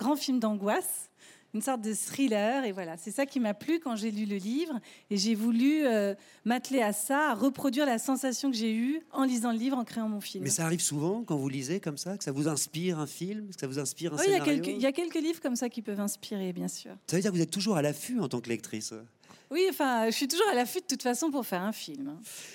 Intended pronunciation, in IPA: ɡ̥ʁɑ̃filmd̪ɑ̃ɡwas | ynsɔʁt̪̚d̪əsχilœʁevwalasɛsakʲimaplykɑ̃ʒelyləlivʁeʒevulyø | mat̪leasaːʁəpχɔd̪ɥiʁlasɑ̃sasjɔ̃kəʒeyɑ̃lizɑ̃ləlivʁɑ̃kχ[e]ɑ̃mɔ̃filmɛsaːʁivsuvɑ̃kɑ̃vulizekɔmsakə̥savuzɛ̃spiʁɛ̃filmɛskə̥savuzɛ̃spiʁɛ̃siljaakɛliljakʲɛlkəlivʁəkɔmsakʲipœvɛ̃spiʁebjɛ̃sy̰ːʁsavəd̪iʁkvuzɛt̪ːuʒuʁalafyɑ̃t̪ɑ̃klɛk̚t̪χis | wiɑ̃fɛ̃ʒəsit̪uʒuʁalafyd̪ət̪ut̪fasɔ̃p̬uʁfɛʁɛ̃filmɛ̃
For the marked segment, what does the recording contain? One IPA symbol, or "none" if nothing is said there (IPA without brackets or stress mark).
e